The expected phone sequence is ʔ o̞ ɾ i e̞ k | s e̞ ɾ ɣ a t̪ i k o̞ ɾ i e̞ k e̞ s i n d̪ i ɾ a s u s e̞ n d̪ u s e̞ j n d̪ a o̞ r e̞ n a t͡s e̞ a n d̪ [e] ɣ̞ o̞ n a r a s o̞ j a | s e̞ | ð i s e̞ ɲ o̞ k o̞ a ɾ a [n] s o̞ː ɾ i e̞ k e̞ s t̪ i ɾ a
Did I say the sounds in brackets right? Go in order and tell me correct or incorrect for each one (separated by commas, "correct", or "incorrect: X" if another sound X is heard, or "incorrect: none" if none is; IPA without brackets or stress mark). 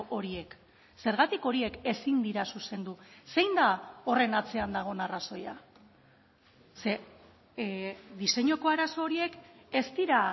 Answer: incorrect: a, incorrect: none